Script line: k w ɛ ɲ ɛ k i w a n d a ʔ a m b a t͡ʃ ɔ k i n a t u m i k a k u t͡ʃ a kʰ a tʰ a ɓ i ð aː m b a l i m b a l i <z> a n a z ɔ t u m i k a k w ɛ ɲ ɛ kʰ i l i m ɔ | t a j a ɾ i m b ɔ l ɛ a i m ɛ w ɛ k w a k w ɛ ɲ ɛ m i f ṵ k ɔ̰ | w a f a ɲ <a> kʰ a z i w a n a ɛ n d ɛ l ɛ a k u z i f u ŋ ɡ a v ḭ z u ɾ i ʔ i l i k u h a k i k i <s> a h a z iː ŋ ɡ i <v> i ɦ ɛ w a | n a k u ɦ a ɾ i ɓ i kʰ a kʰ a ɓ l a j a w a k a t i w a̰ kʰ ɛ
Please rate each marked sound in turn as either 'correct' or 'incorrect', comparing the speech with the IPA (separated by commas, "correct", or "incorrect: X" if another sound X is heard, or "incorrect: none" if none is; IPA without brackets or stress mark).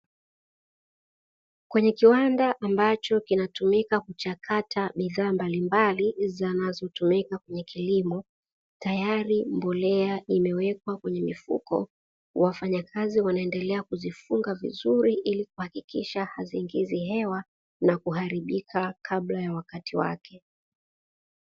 correct, correct, incorrect: ʃ, incorrect: z